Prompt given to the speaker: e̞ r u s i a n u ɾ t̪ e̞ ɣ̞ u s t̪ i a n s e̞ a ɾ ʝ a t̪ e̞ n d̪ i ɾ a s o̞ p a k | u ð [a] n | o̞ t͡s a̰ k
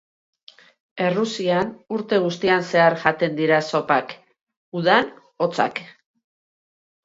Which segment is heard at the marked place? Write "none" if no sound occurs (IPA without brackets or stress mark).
a